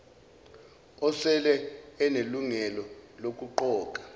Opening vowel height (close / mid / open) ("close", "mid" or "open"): mid